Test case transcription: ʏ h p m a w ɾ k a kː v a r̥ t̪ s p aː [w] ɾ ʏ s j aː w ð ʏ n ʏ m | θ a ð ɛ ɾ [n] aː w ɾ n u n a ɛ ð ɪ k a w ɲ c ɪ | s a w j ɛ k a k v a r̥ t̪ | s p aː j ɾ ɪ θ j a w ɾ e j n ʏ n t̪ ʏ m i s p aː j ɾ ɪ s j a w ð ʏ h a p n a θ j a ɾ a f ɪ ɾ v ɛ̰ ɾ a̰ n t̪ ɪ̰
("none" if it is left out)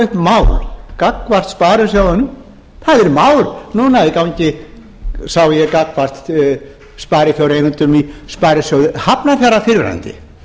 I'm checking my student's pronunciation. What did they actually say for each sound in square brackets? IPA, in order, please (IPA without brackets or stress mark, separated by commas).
none, m